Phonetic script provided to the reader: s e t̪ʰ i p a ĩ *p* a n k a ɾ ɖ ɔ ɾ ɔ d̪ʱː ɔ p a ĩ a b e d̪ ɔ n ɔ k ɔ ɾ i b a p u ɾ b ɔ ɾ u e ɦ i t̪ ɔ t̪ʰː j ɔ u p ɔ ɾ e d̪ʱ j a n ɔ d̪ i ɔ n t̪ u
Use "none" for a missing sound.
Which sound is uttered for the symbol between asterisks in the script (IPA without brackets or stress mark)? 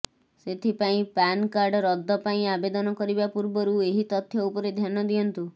p